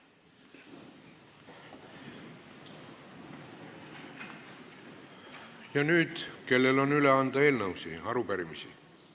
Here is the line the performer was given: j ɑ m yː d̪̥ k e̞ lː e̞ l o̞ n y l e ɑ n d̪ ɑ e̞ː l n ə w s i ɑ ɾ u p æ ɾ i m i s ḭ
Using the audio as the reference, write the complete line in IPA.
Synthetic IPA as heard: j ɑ n yː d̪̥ k e̞ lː e̞ l o̞ n y l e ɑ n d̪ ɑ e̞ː l n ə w s i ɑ ɾ u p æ ɾ i m i s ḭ

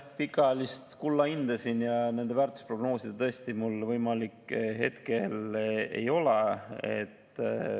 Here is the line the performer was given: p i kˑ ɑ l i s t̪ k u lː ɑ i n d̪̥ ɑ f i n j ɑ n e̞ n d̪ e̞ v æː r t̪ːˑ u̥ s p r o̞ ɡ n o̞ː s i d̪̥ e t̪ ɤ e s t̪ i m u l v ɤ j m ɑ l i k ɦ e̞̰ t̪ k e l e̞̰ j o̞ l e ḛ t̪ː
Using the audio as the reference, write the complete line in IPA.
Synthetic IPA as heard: p i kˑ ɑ l i s t̪ k u lː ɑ i n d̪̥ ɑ s i n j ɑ n e̞ n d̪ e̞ v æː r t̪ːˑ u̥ s p r o̞ ɡ n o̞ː s i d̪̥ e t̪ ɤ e s t̪ i m u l v ɤ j m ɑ l i k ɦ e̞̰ t̪ k e l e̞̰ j o̞ l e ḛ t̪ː

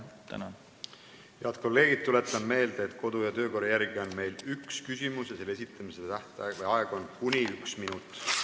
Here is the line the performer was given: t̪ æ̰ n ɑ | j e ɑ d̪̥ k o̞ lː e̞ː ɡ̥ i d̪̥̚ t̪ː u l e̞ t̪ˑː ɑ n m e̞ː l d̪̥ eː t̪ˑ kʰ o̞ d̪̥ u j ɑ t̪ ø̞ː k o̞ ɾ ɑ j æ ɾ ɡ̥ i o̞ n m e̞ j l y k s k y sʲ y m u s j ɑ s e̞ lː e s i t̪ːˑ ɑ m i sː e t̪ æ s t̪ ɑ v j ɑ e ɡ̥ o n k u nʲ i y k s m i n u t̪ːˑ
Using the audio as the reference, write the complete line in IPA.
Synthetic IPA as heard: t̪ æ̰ n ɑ | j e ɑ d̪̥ k o̞ lː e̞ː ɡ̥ i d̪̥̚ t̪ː u l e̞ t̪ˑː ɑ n m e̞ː l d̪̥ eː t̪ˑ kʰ o̞ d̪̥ u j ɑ t̪ ø̞ː k o̞ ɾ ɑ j æ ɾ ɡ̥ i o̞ n m e̞ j l y k s k y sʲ i m u s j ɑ s e̞ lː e s i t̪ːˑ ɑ m i s e t̪ æ h t̪ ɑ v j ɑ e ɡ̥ o n k u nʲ i y k s m i n u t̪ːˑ

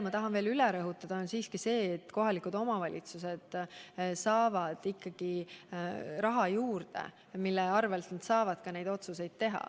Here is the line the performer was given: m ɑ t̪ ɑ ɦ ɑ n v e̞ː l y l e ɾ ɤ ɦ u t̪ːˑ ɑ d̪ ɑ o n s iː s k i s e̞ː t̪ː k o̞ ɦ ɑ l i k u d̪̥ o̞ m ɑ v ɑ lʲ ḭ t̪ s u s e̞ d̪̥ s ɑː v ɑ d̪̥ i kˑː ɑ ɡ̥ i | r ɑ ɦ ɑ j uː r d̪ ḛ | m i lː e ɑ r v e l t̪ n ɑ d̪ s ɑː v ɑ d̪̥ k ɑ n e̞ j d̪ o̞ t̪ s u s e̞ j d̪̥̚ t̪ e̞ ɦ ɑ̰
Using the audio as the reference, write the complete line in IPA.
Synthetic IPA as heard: m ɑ t̪ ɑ ɦ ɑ n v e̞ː l y l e ɾ ɤ ɦ u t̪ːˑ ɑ d̪ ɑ o n s iː s k i s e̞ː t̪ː k o̞ ɦ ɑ l i k u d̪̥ o̞ m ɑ v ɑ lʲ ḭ t̪ s u s e̞ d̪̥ s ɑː v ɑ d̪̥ i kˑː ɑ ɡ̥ i | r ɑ ɦ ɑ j uː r d̪ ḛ | m i lː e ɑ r v e l t̪ n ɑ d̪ s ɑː v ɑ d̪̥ k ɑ n e̞ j d̪ o̞ t̪ s u s e̞ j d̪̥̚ t̪ e̞ ɦ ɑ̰

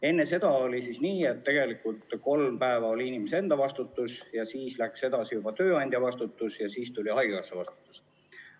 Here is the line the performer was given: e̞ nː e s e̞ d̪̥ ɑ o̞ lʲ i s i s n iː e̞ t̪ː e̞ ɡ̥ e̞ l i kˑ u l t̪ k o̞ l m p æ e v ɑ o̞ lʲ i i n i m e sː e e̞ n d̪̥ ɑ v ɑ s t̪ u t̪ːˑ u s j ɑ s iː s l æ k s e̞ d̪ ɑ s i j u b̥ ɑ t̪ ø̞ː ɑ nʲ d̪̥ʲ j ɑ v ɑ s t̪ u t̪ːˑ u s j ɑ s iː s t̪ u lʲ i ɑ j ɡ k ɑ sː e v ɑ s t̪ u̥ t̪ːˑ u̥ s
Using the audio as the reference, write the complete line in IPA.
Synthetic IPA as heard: e̞ nː e s e̞ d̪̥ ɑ o̞ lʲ i s i s n iː e̞ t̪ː e̞ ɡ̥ e̞ l i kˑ u l t̪ k o̞ l m p æ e v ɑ o̞ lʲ i i n i m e s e e̞ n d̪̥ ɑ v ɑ s t̪ u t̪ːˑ u s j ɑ s iː s l æ k s e̞ d̪ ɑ s i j u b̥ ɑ t̪ ø̞ː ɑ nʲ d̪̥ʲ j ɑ v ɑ s t̪ u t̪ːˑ u s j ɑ s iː s t̪ u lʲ i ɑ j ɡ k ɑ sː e v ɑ s t̪ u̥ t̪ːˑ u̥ s

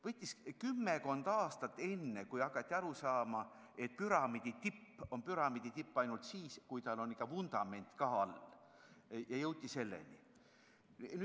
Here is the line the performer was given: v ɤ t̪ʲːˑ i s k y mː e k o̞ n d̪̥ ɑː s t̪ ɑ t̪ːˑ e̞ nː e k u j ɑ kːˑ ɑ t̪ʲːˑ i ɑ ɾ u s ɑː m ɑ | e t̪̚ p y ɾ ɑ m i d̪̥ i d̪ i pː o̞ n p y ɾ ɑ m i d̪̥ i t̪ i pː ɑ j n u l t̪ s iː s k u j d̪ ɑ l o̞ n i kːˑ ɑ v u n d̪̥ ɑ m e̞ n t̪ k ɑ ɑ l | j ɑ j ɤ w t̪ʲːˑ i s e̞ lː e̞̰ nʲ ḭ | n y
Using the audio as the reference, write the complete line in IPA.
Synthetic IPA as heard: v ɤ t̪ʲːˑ i s k y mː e k o̞ n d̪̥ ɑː s t̪ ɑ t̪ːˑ e̞ nː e k u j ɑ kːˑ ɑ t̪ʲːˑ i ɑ ɾ u s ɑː m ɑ | e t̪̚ p y ɾ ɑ m i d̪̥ i t̪ i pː o̞ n p y ɾ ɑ m i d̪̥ i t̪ i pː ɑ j n u l t̪ s iː s k u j t̪ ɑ l o̞ n i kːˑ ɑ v u n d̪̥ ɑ m e̞ n t̪ k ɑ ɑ l | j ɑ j ɤ w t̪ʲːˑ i s e̞ lː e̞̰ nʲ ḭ | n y

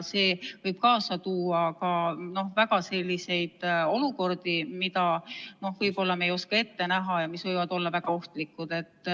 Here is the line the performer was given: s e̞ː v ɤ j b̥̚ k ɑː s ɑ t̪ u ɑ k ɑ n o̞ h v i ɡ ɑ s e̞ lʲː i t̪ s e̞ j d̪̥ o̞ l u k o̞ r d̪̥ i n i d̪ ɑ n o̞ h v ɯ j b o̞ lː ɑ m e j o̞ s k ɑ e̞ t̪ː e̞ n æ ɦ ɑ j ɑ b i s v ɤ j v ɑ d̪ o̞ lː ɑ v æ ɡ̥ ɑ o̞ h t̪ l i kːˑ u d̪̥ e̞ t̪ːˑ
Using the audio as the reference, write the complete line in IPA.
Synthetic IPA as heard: s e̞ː v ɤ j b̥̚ k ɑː s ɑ t̪ uː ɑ k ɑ n o̞ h v æ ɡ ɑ s e̞ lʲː i s e̞ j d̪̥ o̞ l u k o̞ r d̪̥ i m i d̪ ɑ n o̞ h v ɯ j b o̞ lː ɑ m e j o̞ s k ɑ e̞ t̪ː e̞ n æ ɦ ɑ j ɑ m i s v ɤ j v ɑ d̪ o̞ lː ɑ v æ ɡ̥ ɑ o̞ h t̪ l i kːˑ u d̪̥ e̞ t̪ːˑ

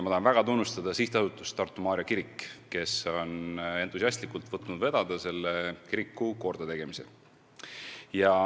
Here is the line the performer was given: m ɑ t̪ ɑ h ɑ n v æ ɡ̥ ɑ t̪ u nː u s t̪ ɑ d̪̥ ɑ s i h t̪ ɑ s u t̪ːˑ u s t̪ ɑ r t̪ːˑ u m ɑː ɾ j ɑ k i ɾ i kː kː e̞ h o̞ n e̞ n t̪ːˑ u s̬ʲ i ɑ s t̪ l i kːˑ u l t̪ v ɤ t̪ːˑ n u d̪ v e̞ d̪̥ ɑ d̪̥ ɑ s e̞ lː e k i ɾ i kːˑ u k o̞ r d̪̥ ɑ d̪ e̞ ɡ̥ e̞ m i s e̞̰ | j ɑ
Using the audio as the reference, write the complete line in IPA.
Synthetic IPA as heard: m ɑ t̪ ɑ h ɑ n v æ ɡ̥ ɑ t̪ u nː u s t̪ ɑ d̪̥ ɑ s i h t̪ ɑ s u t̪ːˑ u s t̪ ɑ r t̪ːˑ u m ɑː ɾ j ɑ k i ɾ i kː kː e̞ s o̞ n e̞ n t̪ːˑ u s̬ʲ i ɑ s t̪ l i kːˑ u l t̪ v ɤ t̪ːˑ n u d̪ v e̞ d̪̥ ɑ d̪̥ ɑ s e̞ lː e k i ɾ i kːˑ u k o̞ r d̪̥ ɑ t̪ e̞ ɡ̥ e̞ m i s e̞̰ | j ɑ

